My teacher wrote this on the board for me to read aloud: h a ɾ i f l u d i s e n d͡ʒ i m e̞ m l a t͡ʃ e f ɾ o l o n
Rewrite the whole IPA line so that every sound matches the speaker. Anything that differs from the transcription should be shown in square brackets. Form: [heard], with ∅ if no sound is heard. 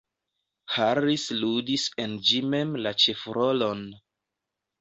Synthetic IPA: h a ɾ i [s] l u d i s e n d͡ʒ i m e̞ m l a t͡ʃ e f ɾ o l o n